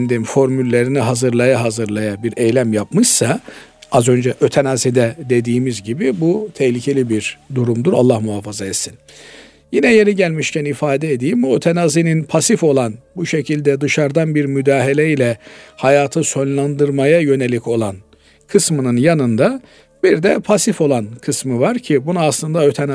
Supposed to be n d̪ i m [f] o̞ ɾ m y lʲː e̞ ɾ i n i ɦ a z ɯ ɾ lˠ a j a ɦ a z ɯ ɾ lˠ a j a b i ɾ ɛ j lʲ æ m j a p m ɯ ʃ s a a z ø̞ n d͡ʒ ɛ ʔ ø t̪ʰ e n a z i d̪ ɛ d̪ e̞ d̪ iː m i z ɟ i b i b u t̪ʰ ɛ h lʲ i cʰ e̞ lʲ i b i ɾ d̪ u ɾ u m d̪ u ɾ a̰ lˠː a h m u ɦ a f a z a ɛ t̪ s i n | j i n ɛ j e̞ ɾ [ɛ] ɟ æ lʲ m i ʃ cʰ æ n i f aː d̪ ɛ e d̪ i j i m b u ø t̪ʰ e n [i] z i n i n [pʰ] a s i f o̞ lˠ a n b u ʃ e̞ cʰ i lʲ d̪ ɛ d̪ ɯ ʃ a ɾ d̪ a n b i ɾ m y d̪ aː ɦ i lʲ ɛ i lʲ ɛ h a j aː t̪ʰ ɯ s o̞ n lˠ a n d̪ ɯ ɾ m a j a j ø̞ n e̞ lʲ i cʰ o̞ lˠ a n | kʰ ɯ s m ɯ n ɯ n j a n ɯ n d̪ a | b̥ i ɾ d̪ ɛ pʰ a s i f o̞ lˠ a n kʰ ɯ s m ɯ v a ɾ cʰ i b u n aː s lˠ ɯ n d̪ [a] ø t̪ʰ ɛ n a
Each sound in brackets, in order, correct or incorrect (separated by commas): correct, incorrect, incorrect, correct, correct